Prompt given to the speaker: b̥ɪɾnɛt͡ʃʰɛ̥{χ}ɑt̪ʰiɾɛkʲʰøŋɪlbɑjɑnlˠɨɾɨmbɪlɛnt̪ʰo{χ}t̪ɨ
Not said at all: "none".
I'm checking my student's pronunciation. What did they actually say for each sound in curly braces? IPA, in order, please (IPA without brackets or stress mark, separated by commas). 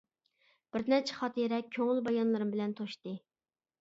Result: χ, ʃ